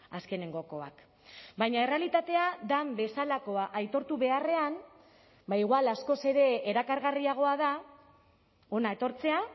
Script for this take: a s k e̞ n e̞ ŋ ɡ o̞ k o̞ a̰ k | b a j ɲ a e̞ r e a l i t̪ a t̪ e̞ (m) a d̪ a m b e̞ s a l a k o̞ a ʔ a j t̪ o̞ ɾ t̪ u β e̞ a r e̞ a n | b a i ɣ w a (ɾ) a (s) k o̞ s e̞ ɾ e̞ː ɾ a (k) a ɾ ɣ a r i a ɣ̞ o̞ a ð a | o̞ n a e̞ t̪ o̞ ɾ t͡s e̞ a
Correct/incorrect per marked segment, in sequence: incorrect: none, incorrect: l, correct, correct

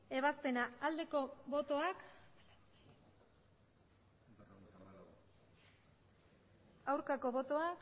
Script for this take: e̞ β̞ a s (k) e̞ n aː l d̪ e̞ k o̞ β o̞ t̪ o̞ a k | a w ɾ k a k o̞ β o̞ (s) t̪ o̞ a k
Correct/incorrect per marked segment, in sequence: incorrect: p, incorrect: none

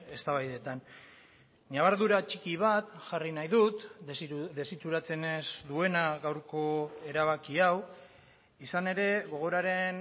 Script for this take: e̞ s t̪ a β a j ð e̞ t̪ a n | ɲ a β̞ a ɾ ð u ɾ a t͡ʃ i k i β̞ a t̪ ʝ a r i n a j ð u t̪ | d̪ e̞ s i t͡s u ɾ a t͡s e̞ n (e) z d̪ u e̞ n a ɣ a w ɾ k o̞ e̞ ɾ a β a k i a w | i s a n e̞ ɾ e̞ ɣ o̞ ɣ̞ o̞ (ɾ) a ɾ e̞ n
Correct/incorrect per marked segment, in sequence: correct, correct

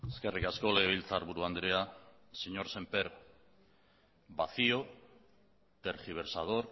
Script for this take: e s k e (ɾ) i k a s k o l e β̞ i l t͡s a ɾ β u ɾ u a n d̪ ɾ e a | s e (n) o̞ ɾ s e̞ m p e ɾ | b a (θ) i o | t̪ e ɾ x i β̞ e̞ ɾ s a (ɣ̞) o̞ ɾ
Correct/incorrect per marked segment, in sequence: incorrect: r, incorrect: ɲ, correct, incorrect: ð̞

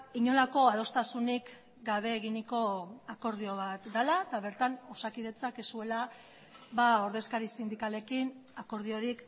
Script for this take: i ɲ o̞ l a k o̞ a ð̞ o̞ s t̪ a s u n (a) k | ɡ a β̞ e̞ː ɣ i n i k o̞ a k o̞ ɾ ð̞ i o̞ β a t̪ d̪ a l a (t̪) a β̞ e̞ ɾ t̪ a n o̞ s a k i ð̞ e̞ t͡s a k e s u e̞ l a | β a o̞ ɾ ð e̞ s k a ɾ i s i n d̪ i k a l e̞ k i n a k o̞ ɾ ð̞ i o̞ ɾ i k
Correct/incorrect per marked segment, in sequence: incorrect: i, correct

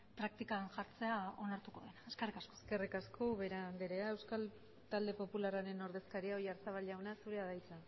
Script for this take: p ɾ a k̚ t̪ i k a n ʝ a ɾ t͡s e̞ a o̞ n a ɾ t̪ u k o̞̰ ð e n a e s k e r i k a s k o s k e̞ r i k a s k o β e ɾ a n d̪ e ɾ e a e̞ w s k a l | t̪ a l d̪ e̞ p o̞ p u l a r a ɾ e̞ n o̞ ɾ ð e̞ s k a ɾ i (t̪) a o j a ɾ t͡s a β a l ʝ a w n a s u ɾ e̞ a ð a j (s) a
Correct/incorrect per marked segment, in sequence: incorrect: none, incorrect: t͡s

